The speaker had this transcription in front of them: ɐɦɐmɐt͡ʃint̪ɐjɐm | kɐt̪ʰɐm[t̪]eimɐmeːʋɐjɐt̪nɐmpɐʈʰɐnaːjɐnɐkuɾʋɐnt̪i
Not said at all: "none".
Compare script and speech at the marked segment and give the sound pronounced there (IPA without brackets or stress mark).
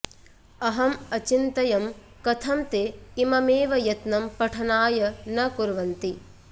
t̪